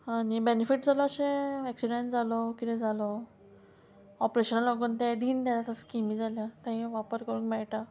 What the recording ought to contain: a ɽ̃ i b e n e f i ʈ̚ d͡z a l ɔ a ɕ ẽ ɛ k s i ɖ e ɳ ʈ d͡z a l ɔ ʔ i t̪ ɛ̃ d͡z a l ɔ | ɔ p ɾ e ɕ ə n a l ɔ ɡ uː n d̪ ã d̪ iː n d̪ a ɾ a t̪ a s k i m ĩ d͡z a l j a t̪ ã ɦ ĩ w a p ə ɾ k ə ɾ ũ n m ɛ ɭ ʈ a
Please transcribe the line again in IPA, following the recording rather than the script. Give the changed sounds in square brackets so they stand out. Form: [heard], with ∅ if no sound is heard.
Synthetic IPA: a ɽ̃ i b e n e f i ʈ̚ d͡z a l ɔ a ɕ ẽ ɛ k s i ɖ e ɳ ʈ d͡z a l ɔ [k] i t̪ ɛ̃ d͡z a l ɔ | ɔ p ɾ e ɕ ə n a l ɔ ɡ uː n [t̪] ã d̪ iː n d̪ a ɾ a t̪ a s k i m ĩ d͡z a l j a t̪ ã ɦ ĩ [ʋ] a p ə ɾ k ə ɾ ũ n m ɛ ɭ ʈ a